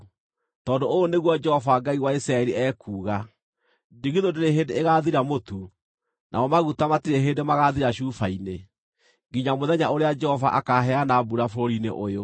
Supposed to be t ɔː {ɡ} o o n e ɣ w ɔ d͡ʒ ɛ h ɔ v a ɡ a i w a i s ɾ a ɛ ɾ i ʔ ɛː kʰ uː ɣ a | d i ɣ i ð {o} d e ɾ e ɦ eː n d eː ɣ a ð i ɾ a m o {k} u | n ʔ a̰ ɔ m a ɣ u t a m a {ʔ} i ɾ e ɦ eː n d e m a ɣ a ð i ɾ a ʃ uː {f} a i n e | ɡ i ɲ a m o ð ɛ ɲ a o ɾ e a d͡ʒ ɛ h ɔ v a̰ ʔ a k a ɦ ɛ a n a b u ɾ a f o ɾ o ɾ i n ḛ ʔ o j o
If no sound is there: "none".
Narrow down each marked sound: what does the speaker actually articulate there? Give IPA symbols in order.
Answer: d, o, t, t, f

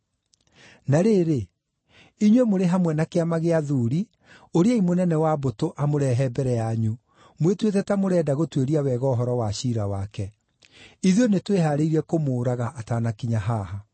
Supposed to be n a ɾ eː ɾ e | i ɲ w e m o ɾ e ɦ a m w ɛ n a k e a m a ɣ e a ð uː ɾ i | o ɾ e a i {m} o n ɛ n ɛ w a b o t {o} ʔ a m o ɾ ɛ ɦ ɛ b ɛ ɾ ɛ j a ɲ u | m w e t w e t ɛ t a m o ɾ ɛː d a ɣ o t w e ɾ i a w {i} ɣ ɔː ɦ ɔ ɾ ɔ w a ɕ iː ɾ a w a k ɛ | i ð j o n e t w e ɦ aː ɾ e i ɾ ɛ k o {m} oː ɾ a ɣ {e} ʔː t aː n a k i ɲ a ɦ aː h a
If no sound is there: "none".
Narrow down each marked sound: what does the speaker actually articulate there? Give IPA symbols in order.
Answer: m, o, ɛ, m, a

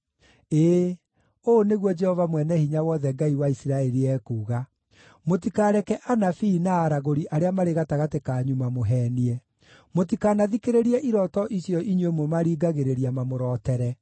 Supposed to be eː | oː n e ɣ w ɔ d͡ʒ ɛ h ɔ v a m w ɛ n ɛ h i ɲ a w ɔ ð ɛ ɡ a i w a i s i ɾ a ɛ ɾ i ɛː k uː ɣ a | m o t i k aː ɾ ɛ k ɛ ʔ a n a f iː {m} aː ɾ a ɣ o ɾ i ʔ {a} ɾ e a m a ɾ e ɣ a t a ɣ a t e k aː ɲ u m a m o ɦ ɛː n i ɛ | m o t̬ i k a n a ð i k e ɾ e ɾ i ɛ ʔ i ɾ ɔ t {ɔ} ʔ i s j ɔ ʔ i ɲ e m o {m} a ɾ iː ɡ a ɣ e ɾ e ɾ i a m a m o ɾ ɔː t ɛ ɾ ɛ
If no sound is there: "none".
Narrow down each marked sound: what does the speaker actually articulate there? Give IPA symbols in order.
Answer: n, a, ɔ, m

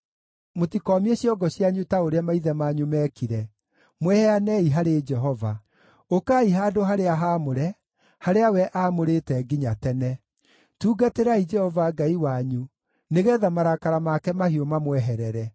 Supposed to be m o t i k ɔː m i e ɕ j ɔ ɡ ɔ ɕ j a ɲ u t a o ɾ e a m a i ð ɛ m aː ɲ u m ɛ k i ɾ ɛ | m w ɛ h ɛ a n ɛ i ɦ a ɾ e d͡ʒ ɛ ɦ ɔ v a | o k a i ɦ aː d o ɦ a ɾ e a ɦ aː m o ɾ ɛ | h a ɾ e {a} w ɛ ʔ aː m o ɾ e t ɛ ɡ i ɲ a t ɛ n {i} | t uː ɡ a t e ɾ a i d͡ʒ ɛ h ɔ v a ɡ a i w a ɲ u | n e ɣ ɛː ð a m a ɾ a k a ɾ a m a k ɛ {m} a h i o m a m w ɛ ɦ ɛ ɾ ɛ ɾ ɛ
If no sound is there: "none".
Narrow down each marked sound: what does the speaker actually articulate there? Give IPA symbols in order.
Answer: a, ɛ, m

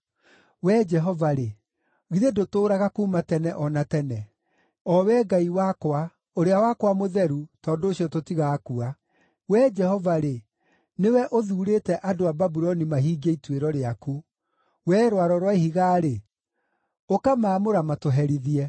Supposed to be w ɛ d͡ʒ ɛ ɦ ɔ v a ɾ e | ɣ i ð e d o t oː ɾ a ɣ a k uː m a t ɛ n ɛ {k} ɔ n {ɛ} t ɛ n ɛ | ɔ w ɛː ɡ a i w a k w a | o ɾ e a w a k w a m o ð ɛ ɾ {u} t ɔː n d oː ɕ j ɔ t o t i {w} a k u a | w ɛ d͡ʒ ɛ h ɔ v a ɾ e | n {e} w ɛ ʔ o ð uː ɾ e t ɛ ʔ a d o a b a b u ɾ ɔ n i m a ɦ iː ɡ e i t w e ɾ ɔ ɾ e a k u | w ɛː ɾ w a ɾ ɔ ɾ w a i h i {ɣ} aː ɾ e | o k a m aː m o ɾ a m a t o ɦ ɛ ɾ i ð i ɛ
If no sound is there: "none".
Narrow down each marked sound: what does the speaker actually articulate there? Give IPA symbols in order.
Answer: ʔ, a, u, ɣ, e, ɣ

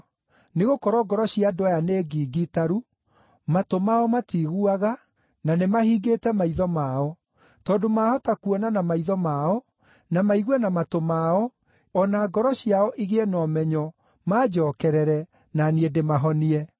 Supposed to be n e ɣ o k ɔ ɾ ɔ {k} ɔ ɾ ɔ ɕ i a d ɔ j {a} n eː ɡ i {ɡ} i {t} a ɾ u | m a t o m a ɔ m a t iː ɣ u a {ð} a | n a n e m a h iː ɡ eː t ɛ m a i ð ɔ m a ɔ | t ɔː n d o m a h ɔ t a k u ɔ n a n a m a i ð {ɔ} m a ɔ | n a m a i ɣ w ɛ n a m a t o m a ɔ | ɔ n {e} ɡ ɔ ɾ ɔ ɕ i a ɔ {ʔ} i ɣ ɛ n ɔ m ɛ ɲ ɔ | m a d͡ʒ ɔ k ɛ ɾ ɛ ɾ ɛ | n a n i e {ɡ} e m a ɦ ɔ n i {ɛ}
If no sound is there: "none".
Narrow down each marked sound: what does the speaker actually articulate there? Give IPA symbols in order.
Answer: ɡ, a, ɡ, t, ɣ, ɔ, a, ʔ, d, ɛ

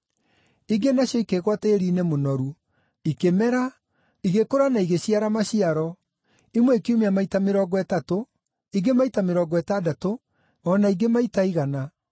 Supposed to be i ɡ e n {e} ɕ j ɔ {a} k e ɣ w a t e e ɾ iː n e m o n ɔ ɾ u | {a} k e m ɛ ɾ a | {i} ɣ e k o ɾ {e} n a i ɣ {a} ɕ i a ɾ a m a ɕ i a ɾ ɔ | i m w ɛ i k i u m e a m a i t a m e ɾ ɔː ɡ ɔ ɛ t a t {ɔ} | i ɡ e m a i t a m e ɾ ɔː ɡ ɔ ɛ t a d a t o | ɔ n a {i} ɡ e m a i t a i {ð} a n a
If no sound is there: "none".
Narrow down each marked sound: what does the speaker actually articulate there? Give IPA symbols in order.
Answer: a, i, i, i, a, e, o, i, ɣ

